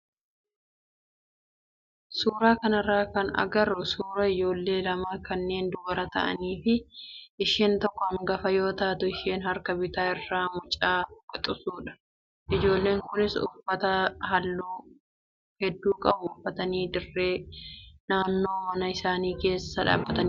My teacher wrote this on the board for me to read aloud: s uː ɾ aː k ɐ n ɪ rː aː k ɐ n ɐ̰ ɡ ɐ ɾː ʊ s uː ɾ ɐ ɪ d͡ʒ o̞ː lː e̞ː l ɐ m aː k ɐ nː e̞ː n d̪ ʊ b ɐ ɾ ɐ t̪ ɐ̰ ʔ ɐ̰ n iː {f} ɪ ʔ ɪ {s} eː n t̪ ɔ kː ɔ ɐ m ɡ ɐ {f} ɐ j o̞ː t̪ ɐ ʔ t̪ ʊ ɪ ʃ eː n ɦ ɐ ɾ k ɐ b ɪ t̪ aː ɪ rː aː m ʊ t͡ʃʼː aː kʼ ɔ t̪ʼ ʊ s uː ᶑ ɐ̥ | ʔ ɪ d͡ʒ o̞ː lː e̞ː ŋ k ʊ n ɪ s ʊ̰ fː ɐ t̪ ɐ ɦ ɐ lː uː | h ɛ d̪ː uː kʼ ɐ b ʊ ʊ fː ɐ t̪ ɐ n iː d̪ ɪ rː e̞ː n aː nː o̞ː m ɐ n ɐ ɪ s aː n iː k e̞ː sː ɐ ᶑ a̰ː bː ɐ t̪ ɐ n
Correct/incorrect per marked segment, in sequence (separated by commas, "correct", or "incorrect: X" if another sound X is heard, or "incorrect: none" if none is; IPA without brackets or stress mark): correct, incorrect: ʃ, correct